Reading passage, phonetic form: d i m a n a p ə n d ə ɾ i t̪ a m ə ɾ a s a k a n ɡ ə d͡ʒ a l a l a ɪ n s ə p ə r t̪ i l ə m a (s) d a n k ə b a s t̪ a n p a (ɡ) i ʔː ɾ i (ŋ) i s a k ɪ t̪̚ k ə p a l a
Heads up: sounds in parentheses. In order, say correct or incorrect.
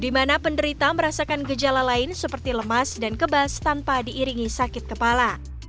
correct, incorrect: d, correct

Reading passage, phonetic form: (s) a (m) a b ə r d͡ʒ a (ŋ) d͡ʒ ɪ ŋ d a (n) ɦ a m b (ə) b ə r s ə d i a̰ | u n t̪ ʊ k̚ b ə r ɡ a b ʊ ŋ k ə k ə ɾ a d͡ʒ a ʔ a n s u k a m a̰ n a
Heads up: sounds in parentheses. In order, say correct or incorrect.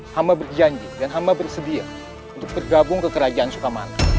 incorrect: h, correct, incorrect: ɲ, correct, incorrect: a

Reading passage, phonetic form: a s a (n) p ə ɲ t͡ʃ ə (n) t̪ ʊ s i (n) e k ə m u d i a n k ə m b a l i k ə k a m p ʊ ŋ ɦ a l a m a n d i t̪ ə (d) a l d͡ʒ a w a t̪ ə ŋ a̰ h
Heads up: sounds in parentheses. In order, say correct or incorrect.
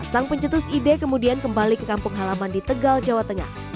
incorrect: ŋ, incorrect: none, incorrect: d, incorrect: ɡ

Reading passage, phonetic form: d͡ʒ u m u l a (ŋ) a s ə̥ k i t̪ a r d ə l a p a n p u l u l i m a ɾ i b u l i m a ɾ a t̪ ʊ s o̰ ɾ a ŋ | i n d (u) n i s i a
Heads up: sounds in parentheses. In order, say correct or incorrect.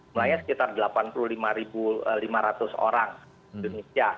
incorrect: ɲ, incorrect: o

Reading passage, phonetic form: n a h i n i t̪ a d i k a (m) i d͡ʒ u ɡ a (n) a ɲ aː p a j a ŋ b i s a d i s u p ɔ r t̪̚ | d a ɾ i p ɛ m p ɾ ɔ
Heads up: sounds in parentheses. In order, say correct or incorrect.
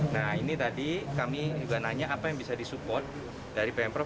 correct, correct

